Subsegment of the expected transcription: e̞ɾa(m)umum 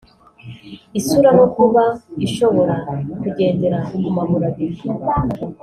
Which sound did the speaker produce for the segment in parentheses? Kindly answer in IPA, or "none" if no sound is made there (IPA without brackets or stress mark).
none